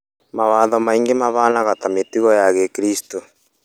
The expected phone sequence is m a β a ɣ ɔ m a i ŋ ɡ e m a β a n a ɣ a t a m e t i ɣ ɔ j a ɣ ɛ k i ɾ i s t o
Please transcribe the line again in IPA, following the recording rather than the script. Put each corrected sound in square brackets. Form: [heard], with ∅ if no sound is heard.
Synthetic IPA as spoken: m a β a [ð] ɔ m a i ŋ ɡ e m a β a n a ɣ a t a m e t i ɣ ɔ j a ɣ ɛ k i ɾ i s t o